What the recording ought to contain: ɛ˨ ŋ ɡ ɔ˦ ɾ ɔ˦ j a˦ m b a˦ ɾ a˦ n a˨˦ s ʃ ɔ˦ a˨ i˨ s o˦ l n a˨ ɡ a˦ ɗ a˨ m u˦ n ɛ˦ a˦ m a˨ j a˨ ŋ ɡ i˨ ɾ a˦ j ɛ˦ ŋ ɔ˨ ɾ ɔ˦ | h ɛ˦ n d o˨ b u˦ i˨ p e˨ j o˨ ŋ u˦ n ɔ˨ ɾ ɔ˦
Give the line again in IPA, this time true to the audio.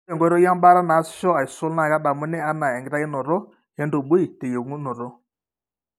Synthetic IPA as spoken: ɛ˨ ŋ ɡ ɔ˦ ɾ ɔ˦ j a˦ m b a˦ ɾ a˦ n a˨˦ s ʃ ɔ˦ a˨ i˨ s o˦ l n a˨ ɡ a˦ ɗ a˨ m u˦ n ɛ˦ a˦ n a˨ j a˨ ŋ ɡ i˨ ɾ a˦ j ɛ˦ n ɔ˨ ɾ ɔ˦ | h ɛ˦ n d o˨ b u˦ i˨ t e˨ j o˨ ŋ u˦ n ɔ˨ ɾ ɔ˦